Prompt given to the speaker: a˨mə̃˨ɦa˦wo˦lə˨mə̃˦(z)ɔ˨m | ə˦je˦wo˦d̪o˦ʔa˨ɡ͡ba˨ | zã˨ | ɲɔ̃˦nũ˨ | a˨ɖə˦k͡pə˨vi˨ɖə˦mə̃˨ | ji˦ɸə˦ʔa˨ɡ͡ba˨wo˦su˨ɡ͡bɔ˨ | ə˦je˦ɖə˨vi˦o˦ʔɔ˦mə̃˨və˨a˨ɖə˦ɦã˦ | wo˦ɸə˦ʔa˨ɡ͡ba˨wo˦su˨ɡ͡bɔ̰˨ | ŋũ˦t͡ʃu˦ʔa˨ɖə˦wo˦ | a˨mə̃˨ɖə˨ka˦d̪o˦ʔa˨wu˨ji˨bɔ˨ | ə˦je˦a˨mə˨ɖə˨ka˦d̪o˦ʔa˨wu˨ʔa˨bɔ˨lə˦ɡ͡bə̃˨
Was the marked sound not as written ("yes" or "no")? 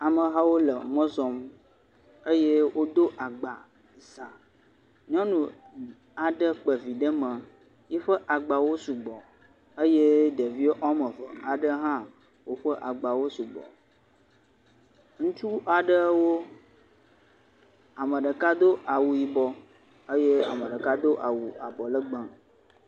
no